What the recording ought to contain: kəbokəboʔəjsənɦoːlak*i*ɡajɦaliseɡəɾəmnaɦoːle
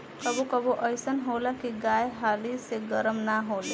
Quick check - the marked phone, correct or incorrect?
correct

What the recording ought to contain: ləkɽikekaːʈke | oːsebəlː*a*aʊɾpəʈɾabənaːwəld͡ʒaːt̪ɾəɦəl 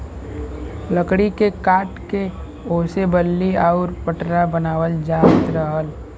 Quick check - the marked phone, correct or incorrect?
incorrect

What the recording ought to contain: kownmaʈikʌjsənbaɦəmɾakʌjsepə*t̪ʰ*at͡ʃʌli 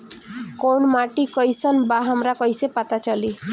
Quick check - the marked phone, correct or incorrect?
incorrect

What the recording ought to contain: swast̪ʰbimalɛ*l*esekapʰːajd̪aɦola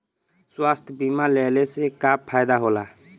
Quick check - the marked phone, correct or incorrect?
correct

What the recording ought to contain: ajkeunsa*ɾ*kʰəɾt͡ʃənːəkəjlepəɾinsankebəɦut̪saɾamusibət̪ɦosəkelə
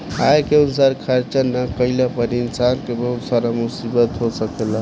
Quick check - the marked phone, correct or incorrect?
correct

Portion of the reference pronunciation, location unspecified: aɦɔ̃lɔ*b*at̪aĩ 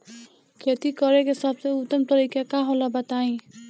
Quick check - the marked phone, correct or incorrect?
correct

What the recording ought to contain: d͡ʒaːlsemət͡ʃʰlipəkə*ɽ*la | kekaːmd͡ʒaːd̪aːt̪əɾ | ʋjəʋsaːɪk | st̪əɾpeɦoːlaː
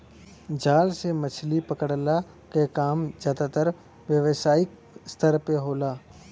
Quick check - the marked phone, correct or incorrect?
correct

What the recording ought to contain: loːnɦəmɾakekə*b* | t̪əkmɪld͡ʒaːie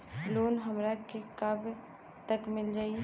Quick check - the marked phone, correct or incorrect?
correct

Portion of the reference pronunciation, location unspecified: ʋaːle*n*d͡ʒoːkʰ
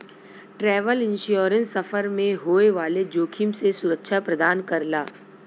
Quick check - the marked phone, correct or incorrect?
incorrect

